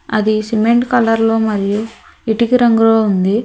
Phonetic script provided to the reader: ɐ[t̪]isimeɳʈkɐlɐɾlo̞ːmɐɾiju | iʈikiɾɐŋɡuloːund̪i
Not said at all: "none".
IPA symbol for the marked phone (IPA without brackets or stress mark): d̪